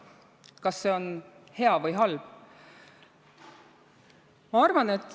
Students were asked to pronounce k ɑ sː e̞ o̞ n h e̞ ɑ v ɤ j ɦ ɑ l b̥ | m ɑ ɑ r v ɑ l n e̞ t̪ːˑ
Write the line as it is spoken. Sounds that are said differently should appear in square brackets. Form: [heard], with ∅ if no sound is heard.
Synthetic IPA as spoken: k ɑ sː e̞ o̞ n h e̞ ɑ v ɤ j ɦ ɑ l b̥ | m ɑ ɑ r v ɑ [∅] n e̞ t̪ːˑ